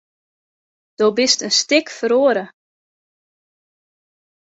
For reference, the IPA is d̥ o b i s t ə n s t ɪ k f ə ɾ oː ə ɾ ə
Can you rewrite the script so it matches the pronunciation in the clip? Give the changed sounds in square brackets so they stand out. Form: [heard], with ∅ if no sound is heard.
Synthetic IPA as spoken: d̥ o b [ɪ] s t ə n s t ɪ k f ə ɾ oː ə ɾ ə